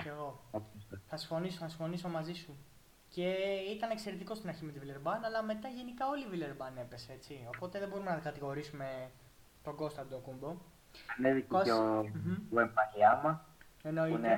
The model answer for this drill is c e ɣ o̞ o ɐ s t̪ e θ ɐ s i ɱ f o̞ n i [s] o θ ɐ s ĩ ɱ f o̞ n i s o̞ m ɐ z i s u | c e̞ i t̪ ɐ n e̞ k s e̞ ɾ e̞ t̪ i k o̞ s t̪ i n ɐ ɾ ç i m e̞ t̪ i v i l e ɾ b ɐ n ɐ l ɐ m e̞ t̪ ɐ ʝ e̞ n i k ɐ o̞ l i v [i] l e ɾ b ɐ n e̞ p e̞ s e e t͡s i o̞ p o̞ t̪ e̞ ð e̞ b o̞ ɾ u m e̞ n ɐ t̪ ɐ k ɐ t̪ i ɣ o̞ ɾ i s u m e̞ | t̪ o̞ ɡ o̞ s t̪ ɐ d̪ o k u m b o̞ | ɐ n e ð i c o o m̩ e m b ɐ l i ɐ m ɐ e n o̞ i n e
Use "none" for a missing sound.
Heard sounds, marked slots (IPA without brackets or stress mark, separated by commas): s, i